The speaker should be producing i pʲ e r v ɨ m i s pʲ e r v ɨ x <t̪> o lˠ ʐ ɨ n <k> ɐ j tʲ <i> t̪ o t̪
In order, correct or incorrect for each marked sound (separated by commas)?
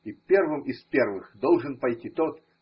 incorrect, incorrect, correct